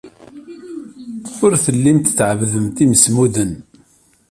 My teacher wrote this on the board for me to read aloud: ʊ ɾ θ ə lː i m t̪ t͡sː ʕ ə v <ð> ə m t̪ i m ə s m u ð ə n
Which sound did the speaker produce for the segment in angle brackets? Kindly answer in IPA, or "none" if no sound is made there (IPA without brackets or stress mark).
ð